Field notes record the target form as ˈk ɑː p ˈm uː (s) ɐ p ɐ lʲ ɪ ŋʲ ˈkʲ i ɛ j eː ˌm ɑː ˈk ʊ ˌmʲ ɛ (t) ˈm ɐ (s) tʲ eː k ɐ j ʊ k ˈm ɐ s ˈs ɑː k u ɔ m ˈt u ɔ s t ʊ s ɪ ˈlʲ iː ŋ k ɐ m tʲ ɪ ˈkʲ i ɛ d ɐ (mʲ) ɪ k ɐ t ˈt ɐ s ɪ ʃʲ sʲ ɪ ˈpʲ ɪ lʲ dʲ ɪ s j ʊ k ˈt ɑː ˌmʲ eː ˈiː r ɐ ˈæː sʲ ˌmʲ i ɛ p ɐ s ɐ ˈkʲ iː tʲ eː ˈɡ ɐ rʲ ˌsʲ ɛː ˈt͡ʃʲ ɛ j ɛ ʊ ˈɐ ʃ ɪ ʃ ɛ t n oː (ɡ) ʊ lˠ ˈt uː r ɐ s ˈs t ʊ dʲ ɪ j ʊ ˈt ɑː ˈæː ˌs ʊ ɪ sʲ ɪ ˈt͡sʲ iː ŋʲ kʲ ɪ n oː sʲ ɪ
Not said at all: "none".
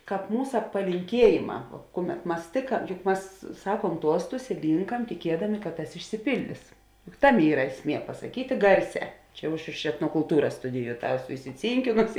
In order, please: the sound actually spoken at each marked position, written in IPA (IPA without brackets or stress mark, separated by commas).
s, t, s, mʲ, k